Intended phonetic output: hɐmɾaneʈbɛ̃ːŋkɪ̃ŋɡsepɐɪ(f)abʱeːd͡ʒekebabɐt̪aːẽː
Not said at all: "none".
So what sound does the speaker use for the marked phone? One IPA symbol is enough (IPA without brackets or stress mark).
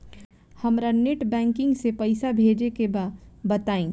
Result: s